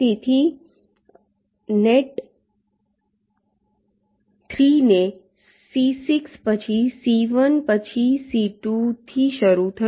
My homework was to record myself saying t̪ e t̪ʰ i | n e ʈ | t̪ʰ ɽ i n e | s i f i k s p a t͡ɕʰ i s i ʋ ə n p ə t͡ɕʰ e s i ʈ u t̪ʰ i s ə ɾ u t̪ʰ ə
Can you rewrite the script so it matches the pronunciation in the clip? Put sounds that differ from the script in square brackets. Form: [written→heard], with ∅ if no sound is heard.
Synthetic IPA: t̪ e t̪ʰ i | n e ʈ | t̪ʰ [ɽ→ɾ] i n e | s i [f→s] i k s p [a→ə] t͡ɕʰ i s i ʋ ə n p ə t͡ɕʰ [e→i] s i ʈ u t̪ʰ i [s→ʃ] ə ɾ u t̪ʰ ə